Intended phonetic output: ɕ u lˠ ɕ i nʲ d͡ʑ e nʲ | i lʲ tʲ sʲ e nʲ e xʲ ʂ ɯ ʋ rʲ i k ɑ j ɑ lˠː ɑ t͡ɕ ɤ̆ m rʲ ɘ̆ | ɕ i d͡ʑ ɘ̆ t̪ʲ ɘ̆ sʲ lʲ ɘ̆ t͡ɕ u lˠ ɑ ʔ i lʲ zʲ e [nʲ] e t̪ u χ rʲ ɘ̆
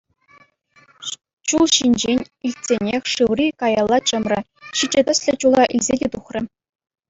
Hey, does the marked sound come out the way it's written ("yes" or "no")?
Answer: no